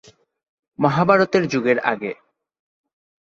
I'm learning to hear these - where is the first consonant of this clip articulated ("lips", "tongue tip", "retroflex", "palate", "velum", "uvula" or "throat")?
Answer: lips